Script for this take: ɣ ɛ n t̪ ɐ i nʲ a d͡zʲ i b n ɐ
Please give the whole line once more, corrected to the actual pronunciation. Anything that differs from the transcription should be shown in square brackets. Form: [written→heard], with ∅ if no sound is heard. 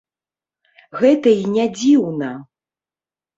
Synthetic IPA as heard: ɣ ɛ [n→∅] t̪ ɐ i nʲ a d͡zʲ i [b→w] n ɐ